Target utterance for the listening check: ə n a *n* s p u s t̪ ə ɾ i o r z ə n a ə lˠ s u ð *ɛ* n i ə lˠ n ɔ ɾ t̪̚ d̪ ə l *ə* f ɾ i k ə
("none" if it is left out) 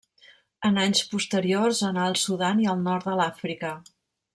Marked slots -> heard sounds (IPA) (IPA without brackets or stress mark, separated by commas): ɲ, a, a